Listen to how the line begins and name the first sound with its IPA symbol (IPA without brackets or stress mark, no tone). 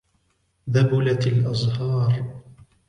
ð